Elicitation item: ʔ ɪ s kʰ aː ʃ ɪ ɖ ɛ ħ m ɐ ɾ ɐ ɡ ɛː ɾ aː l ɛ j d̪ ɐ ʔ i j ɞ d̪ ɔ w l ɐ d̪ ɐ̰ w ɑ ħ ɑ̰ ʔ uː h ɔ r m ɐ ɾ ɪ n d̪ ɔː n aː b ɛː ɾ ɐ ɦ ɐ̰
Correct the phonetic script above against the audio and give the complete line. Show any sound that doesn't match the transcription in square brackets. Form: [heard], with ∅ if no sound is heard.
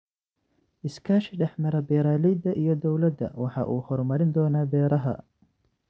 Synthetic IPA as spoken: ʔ ɪ s kʰ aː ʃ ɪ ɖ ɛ ħ m ɐ ɾ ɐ [b] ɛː ɾ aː l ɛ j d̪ ɐ ʔ i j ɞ d̪ ɔ w l ɐ d̪ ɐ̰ w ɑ ħ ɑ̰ ʔ uː h ɔ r m ɐ ɾ ɪ n d̪ ɔː n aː b ɛː ɾ ɐ ɦ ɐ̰